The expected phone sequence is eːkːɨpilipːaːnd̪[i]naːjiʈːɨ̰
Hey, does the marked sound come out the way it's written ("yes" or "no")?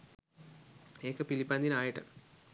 yes